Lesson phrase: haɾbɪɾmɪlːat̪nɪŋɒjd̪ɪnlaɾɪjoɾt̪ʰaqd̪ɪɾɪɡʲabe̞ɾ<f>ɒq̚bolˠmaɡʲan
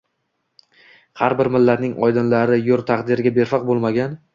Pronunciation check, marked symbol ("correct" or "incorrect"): correct